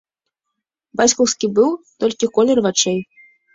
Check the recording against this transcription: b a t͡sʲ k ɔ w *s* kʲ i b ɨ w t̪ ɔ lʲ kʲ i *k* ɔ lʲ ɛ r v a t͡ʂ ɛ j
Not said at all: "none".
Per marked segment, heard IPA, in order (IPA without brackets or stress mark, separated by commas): s, k